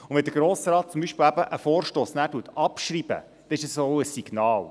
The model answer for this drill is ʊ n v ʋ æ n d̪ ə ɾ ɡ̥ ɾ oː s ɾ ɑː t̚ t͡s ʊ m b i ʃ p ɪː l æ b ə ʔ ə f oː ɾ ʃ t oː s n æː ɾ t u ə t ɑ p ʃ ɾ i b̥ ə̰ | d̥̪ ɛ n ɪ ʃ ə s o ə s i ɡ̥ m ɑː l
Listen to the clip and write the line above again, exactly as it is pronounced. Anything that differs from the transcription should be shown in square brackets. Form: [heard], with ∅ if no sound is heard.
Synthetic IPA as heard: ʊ n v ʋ [ɛ] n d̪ ə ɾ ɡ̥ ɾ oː s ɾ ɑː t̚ t͡s ʊ m b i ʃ p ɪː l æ b ə ʔ ə f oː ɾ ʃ t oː s n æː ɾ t u ə t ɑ p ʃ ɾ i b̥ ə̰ | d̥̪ ɛ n ɪ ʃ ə s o ə s i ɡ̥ [n] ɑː l